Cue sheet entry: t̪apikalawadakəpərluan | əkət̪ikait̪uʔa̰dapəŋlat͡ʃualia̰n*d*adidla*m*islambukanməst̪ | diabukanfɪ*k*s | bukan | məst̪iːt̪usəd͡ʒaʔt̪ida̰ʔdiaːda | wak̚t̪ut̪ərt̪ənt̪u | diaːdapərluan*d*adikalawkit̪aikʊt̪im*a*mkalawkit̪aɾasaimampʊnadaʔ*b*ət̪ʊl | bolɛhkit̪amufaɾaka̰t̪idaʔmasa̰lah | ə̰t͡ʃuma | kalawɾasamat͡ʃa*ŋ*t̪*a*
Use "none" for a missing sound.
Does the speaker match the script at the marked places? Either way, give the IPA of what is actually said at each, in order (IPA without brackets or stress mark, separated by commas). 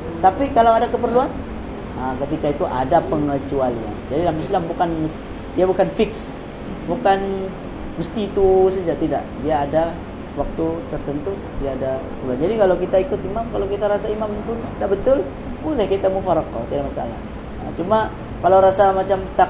d͡ʒ, m, k, d͡ʒ, a, b, m, a